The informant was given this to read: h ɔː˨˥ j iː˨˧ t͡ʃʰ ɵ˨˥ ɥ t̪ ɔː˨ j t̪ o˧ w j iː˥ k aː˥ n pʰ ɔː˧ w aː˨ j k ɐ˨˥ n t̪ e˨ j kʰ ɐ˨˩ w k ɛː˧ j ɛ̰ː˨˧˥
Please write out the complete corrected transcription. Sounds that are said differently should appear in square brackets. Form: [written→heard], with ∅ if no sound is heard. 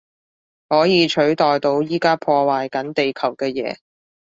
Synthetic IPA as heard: h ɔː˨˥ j iː˨˧ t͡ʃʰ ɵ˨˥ ɥ t̪ ɔː˨ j t̪ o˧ w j iː˥ k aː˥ [n→∅] pʰ ɔː˧ w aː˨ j k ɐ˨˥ n t̪ e˨ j kʰ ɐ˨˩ w k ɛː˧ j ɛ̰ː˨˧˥